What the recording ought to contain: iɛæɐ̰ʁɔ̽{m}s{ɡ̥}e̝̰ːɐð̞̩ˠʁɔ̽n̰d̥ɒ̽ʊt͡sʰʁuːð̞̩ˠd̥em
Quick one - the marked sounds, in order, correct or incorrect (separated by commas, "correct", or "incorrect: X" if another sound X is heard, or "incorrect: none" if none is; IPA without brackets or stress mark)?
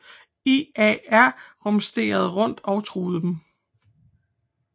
correct, incorrect: d̥